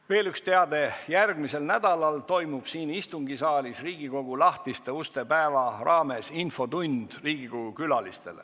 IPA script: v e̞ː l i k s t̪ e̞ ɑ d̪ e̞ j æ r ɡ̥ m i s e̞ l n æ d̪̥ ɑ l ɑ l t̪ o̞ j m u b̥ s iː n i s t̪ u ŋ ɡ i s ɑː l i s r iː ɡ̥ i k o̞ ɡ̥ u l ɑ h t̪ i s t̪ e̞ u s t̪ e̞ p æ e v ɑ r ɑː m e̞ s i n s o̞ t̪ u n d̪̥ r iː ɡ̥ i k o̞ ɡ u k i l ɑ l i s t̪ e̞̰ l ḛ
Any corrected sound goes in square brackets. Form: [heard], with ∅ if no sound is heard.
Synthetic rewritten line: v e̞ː l [y] k s t̪ e̞ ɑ d̪ e̞ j æ r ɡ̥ m i s e̞ l n æ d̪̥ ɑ l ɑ l t̪ o̞ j m u b̥ s iː n i s t̪ u ŋ ɡ i s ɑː l i s r iː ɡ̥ i k o̞ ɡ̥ u l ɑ h t̪ i s t̪ e̞ u s t̪ e̞ p æ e v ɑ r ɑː m e̞ s i n [f] o̞ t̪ u n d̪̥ r iː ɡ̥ i k o̞ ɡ u k [y] l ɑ l i s t̪ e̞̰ l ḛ